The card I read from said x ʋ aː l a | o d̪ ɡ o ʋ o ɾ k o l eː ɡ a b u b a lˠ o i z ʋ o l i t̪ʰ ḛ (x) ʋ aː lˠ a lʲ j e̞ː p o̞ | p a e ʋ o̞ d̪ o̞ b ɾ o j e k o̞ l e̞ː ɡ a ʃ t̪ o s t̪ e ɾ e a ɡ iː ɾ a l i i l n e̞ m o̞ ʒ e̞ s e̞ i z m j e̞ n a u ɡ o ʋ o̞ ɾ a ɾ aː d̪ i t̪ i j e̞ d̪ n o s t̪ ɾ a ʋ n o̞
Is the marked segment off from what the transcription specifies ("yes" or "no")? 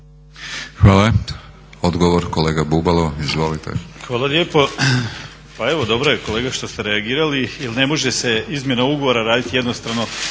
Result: no